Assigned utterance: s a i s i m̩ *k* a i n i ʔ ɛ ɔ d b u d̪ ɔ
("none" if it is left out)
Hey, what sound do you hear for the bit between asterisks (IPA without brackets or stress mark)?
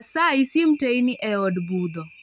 t